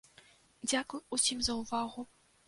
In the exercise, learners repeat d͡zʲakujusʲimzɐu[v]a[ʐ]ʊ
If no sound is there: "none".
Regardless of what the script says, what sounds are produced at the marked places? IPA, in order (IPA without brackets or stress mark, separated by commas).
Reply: v, ɣ